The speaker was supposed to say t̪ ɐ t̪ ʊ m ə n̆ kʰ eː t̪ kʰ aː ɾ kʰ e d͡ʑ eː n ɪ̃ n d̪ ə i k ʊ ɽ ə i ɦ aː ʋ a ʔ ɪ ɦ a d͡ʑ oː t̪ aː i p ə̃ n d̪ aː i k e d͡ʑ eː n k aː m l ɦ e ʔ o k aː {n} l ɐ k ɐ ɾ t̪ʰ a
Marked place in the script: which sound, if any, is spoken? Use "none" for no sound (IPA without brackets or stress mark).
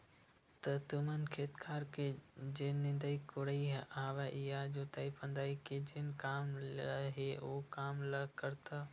m